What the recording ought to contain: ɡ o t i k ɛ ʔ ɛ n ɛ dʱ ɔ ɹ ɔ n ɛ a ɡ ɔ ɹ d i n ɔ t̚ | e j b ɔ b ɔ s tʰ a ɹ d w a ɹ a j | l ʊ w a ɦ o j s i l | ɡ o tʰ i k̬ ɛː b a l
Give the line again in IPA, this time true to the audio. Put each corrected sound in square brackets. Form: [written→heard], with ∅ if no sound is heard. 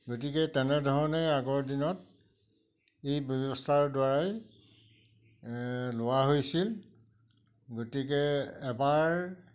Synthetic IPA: ɡ o t i k ɛ [ʔ→t] ɛ n ɛ dʱ ɔ ɹ ɔ n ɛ a ɡ ɔ ɹ d i n ɔ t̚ | e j b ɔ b ɔ s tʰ a ɹ d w a ɹ a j | l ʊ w a ɦ o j s i l | ɡ o [tʰ→t] i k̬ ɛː b a [l→ɹ]